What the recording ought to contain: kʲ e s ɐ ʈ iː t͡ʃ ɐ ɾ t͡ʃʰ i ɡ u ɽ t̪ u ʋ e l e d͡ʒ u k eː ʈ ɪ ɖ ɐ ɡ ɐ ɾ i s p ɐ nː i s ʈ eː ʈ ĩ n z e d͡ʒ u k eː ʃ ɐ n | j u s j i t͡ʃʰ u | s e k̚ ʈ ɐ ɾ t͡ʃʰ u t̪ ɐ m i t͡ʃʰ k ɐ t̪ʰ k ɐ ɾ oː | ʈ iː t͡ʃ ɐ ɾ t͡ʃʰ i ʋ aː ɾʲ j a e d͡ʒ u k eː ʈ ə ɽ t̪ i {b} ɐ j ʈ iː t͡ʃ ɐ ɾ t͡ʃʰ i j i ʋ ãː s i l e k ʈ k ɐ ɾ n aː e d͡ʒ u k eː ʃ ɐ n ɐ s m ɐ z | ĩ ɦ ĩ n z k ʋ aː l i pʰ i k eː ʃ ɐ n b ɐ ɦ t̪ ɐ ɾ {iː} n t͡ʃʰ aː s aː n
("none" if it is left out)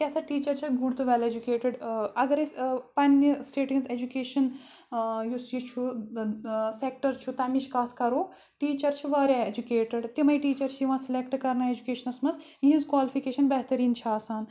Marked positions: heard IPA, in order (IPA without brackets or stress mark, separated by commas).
m, iː